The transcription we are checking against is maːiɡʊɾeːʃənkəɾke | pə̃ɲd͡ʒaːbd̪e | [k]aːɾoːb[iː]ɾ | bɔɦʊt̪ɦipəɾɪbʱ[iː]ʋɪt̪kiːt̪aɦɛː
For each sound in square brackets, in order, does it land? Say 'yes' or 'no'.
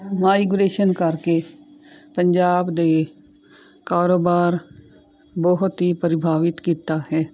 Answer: yes, no, no

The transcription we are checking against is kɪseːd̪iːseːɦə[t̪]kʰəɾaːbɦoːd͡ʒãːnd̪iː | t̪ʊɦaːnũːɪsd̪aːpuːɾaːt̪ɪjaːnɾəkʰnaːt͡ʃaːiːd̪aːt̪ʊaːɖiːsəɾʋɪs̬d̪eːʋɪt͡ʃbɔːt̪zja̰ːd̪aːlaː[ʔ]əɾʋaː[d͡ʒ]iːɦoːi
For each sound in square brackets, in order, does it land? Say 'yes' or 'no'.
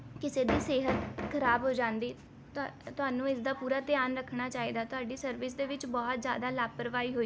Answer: yes, no, no

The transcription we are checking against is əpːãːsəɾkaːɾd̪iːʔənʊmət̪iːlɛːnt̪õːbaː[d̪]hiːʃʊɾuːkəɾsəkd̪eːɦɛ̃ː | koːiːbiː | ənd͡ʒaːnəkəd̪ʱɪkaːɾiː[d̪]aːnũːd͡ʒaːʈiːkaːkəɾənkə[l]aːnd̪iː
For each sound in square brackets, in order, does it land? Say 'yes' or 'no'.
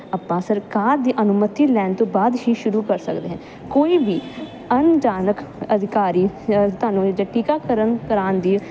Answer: yes, no, no

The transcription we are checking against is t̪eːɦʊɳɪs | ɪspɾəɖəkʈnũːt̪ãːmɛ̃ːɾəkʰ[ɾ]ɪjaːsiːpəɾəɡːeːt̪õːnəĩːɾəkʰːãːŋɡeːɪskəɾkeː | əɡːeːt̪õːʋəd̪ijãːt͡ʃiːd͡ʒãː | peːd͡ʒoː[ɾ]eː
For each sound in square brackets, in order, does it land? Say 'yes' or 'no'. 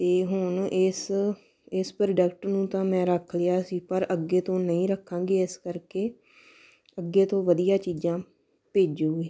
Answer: no, no

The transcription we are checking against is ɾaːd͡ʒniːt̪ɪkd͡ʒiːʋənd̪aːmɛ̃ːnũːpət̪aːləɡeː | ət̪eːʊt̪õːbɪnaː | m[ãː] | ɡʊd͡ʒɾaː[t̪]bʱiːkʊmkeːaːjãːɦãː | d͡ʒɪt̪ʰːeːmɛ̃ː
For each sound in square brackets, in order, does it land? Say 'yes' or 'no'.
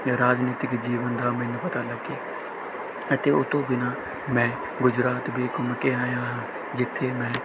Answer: no, yes

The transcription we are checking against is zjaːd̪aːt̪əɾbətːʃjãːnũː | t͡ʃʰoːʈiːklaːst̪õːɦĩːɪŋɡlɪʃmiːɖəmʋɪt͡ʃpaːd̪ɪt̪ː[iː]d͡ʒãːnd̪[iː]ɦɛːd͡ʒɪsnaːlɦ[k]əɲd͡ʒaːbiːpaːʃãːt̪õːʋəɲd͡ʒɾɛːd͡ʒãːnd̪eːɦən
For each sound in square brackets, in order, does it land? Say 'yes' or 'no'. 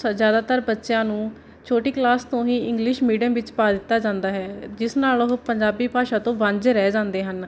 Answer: no, no, no

